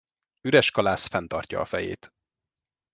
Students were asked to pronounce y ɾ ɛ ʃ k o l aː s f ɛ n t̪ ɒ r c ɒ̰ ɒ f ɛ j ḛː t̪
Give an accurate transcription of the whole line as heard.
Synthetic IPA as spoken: y ɾ ɛ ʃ k ɒ l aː s f ɛ n t̪ ɒ r c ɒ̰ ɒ f ɛ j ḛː t̪